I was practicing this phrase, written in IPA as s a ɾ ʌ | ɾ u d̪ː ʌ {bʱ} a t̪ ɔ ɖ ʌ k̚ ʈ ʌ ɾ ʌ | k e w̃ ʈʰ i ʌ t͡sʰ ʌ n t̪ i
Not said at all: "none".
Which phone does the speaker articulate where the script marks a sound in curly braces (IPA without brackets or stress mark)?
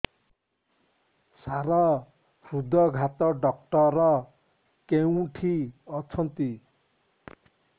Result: ɡʱ